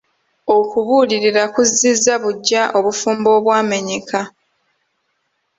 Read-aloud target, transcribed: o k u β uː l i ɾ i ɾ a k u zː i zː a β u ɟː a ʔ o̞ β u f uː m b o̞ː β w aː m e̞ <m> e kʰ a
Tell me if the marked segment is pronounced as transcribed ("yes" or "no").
no